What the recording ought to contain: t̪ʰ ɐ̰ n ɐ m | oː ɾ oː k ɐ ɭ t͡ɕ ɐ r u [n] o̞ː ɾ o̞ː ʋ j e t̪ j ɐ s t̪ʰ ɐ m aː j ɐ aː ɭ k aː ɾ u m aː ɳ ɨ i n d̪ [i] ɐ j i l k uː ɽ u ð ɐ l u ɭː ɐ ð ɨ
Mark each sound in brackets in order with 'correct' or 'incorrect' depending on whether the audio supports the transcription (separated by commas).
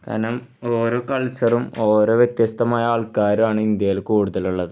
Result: incorrect, incorrect